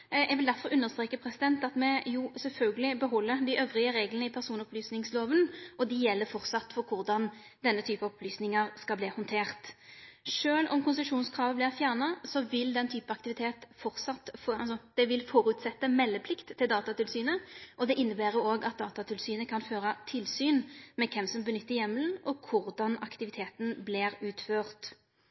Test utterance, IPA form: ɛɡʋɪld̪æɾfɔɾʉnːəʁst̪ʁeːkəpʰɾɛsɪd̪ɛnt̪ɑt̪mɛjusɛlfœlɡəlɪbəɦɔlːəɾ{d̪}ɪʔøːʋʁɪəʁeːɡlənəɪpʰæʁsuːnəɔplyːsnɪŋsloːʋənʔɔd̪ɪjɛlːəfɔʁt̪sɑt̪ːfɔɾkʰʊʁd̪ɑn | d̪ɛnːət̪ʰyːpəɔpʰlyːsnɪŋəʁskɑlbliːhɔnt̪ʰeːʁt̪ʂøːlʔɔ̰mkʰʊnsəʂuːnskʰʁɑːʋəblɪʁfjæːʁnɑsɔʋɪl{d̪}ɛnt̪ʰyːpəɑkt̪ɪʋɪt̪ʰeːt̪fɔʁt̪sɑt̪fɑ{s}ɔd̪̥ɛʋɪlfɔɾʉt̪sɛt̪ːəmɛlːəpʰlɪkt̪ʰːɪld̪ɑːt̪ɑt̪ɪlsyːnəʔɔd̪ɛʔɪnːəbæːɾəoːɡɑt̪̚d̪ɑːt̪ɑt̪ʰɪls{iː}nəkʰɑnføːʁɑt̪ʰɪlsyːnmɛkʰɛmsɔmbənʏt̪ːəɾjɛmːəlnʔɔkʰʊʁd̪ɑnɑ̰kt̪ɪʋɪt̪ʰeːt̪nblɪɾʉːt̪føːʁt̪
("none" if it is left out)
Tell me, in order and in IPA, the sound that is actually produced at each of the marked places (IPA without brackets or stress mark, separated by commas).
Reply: d̪, d̪, s, yː